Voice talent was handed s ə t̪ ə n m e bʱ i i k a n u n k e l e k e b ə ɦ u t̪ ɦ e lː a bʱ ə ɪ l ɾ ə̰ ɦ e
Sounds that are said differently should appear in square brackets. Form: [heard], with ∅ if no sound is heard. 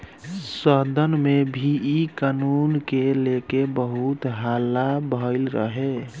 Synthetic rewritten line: s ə [d̪] ə n m e bʱ i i k a n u n k e l e k e b ə ɦ u t̪ ɦ [a] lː a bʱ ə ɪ l ɾ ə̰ ɦ e